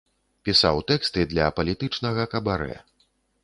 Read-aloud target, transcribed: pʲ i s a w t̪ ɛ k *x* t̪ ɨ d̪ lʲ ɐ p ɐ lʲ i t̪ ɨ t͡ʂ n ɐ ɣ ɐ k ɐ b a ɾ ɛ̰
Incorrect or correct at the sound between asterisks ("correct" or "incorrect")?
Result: incorrect